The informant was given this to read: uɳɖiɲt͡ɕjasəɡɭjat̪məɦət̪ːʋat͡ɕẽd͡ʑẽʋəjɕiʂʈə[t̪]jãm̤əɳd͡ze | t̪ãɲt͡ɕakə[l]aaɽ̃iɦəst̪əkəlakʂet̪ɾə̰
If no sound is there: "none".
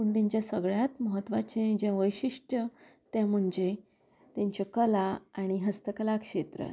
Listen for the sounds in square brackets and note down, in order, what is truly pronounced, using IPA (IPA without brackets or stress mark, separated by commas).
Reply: t̪, l